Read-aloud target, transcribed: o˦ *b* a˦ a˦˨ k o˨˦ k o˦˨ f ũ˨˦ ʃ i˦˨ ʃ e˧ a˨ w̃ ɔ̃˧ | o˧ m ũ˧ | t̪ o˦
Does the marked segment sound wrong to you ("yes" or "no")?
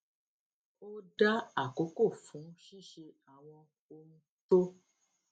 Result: yes